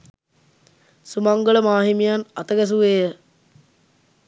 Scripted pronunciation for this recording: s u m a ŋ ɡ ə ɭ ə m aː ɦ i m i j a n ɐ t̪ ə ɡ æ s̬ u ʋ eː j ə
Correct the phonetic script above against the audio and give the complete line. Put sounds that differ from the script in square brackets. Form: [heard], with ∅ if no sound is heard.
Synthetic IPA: s u m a ŋ ɡ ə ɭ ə m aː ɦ i m i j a n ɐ t̪ ə ɡ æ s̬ u ʋ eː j ə